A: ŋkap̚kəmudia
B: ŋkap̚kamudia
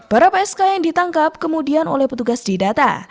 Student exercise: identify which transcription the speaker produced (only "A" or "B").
A